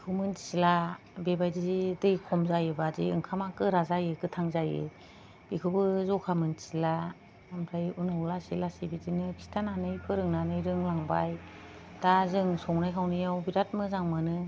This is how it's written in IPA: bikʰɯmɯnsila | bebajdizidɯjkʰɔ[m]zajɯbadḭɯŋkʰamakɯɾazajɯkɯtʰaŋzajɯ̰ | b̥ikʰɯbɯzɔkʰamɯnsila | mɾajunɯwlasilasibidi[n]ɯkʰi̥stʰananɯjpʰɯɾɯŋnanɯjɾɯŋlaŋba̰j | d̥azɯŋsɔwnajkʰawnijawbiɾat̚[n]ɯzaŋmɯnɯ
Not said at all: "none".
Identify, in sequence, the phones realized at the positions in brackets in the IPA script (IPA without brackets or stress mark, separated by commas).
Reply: m, n, m